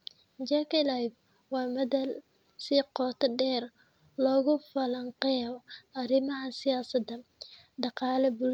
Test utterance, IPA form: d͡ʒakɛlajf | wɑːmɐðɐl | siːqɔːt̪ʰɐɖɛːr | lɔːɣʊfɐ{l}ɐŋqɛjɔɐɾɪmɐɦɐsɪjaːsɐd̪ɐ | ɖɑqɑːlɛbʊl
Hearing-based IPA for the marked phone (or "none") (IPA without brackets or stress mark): l